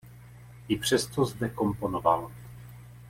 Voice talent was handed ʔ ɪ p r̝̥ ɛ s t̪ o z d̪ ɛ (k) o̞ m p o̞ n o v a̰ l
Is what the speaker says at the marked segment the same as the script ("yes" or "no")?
yes